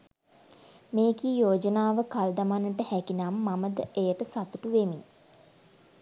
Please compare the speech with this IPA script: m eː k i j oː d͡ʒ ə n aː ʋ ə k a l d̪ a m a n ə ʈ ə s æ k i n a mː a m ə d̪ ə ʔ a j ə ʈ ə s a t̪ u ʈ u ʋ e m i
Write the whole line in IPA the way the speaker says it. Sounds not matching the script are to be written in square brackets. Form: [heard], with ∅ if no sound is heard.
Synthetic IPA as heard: m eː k i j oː d͡ʒ ə n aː ʋ ə k a l d̪ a m a n ə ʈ ə [h] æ k i n a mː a m ə d̪ ə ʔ [e] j ə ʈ ə s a t̪ u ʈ u ʋ e m i